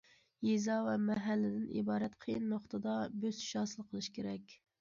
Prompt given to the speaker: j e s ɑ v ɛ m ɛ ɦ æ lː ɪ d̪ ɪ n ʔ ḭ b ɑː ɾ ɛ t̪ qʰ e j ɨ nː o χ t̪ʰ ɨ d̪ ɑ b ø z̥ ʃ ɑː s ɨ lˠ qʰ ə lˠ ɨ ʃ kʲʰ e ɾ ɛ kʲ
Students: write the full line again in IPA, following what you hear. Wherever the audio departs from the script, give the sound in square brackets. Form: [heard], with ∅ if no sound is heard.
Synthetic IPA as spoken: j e [z] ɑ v ɛ m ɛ ɦ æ lː ɪ d̪ ɪ n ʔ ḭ b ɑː ɾ ɛ t̪ qʰ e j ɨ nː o χ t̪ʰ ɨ d̪ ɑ b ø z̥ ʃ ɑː s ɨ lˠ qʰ ə lˠ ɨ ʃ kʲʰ e ɾ ɛ kʲ